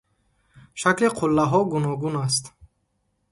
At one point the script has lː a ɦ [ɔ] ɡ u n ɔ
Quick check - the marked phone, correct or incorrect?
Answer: correct